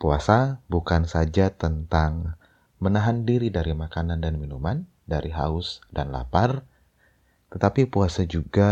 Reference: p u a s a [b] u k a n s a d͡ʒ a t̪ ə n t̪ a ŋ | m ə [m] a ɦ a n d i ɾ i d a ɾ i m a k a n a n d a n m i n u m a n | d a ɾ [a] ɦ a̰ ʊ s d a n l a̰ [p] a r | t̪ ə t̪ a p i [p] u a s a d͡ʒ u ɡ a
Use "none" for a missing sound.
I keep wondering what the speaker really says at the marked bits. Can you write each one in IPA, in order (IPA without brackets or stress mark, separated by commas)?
b, n, i, p, p